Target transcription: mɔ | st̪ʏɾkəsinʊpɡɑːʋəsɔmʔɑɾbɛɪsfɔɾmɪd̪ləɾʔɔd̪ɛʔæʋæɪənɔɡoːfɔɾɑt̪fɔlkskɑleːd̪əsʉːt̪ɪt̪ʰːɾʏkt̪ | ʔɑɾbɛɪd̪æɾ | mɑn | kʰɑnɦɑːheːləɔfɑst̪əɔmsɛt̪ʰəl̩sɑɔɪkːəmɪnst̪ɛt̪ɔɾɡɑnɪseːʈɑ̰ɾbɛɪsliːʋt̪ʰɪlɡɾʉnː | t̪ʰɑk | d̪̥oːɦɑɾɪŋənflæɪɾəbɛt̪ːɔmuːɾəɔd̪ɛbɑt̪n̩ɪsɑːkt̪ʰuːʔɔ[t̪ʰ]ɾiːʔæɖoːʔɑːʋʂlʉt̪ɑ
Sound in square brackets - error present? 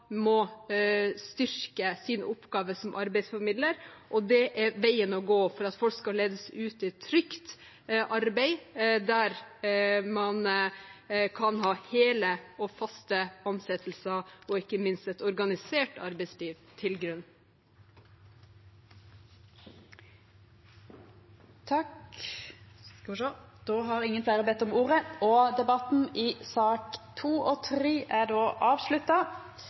no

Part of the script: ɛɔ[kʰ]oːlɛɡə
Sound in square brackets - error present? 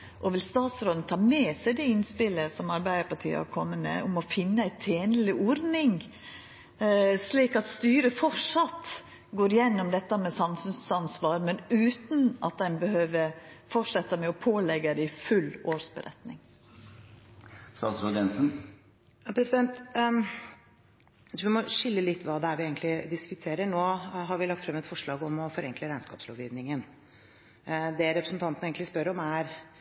yes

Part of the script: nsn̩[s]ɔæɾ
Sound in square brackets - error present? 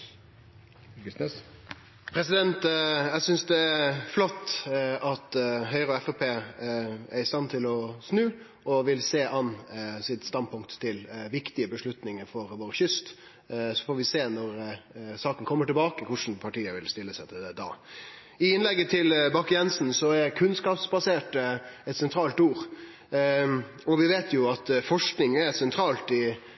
no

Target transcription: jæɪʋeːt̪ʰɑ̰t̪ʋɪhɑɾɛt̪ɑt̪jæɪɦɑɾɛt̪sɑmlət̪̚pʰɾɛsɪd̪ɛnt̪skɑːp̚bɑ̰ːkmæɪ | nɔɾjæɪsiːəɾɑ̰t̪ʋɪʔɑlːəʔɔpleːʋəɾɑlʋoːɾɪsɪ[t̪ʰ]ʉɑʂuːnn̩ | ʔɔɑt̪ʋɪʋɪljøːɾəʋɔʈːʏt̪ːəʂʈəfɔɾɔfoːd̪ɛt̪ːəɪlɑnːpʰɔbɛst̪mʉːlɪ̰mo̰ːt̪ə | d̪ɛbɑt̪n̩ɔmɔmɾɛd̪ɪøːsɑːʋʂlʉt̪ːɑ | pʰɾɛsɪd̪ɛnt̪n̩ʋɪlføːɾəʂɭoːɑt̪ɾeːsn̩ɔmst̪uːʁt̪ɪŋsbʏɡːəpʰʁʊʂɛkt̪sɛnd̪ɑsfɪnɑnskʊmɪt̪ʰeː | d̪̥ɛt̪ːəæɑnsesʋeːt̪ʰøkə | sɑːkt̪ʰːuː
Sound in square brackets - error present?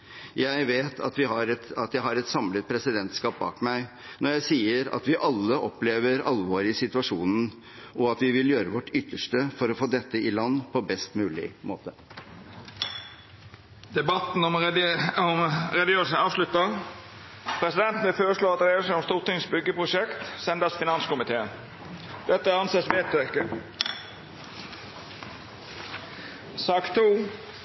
yes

